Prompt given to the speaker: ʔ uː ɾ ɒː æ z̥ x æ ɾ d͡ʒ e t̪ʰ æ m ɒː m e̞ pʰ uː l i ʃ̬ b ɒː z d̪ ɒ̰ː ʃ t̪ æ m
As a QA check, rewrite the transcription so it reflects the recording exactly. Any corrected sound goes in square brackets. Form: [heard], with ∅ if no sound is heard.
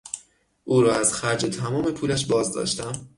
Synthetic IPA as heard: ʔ uː ɾ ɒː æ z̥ x æ ɾ d͡ʒ e t̪ʰ æ m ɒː m e̞ pʰ uː l [æ] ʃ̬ b ɒː z d̪ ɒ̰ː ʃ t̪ æ m